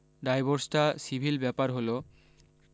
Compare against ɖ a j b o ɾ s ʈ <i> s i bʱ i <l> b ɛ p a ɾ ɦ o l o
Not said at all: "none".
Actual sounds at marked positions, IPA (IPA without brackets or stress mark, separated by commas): a, l